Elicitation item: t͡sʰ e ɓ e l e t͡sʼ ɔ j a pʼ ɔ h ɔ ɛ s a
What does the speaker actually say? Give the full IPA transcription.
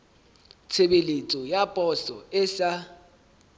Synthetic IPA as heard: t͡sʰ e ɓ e l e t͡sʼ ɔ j a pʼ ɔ s ɔ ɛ s a